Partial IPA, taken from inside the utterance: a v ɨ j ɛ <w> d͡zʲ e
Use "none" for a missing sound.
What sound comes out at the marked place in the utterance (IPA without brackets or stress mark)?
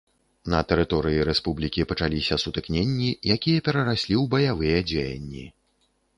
none